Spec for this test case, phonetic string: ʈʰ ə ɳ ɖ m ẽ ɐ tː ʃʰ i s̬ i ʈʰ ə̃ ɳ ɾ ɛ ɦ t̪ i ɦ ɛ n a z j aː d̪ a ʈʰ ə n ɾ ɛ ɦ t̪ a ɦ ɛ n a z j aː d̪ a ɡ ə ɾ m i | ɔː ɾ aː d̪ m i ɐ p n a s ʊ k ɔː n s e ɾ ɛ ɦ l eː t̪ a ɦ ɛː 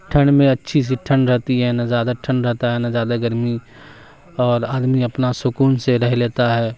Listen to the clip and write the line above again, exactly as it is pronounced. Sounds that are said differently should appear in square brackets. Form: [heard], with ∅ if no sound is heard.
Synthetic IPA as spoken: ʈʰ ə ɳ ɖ m ẽ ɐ tː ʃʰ i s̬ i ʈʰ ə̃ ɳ ɾ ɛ ɦ t̪ i ɦ ɛ n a z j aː d̪ a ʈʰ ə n ɾ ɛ ɦ t̪ a ɦ ɛ n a z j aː d̪ a ɡ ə ɾ m i | ɔː ɾ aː d̪ m i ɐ p n a s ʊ k [uː] n s e ɾ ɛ ɦ l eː t̪ a ɦ ɛː